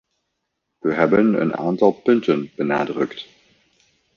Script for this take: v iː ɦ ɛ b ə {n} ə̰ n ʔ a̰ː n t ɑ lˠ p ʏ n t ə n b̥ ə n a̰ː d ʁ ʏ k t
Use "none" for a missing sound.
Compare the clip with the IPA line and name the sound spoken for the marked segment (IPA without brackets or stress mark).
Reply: n